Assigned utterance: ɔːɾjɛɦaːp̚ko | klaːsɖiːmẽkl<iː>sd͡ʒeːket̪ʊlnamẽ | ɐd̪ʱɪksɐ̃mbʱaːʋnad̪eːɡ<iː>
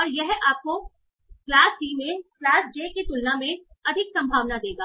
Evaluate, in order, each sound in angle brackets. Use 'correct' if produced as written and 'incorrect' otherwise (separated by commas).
incorrect, incorrect